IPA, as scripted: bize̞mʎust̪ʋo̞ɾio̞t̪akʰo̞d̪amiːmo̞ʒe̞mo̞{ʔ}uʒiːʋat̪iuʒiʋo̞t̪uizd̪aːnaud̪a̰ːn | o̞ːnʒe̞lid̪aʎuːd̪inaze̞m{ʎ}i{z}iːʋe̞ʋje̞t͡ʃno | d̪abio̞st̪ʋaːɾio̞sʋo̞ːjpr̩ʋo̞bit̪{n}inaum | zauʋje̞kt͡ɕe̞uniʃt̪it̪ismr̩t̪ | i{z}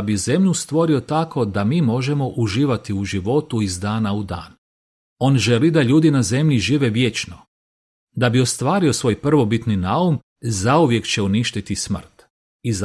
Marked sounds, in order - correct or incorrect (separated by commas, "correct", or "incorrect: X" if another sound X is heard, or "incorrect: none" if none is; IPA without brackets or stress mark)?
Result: correct, correct, incorrect: ʒ, correct, correct